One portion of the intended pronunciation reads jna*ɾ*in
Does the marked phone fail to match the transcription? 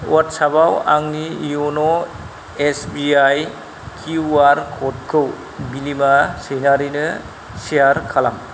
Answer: no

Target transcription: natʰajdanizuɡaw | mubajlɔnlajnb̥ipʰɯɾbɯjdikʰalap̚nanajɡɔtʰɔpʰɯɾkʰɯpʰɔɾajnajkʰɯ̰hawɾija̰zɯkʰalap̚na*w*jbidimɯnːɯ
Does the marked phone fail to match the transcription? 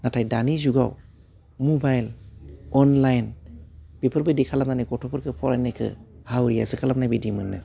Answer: yes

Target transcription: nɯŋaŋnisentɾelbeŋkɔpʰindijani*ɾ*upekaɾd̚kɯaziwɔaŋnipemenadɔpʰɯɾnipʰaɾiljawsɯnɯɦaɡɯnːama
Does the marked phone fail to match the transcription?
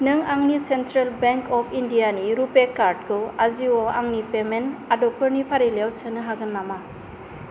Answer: no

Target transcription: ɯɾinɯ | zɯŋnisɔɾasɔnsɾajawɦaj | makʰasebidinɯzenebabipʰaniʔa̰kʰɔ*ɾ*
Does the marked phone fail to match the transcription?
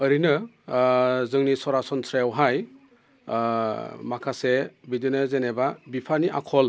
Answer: yes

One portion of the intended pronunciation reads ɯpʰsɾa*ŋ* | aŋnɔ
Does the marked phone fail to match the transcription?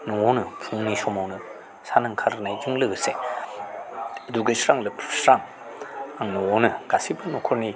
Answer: no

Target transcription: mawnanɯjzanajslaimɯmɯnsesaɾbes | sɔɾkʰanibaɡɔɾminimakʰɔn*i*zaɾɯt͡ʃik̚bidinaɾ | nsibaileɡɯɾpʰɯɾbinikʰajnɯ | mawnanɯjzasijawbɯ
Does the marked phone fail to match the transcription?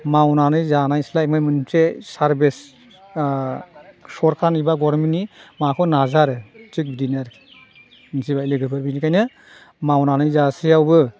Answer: yes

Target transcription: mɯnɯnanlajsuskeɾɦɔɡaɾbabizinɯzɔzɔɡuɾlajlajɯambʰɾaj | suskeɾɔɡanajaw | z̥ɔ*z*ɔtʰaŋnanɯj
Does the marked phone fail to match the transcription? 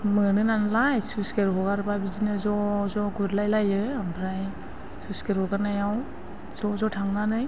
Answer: no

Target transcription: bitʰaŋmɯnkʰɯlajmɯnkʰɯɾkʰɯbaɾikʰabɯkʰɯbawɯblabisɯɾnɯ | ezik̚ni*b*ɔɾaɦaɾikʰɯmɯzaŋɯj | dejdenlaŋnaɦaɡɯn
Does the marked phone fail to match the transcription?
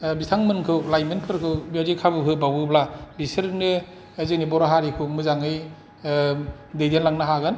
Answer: no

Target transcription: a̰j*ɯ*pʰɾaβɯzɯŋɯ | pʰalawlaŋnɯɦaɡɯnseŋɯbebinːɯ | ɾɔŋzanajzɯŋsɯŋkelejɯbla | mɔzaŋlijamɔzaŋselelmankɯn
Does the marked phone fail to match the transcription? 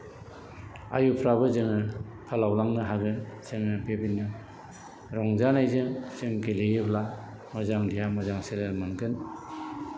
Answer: yes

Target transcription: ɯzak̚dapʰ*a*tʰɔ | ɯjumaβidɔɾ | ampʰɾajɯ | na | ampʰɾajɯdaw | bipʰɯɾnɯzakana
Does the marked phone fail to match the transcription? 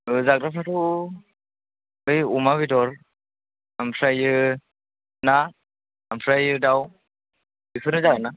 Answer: no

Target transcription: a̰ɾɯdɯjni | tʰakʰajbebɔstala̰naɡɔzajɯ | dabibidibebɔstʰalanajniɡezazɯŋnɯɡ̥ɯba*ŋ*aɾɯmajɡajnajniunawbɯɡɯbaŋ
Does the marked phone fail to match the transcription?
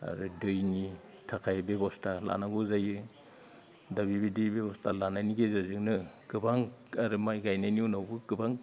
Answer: no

